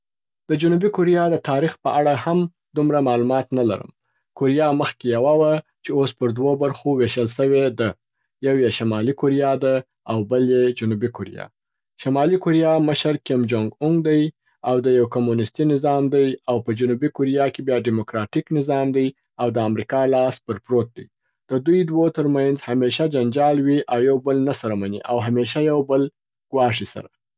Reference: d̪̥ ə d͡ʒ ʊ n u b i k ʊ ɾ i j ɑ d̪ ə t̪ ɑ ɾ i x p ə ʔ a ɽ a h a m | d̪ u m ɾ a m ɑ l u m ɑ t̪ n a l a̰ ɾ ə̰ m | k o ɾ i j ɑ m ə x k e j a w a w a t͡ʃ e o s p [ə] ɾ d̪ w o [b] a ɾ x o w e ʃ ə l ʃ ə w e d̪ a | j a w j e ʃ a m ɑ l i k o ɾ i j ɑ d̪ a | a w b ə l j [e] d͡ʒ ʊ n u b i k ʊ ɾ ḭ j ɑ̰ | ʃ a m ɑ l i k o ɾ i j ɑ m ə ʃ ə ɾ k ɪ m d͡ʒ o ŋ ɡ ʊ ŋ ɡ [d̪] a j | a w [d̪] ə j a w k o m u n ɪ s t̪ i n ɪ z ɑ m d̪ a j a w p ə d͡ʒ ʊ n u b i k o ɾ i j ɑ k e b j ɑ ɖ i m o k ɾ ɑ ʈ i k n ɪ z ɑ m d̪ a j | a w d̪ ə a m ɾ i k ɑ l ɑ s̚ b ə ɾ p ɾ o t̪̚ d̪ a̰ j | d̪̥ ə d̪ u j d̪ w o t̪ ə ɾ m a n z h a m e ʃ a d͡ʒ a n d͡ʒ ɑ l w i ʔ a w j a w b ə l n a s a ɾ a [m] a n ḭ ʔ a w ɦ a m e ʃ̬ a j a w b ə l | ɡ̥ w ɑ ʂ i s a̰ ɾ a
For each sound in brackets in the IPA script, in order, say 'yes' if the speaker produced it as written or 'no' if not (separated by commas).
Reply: yes, yes, yes, yes, yes, yes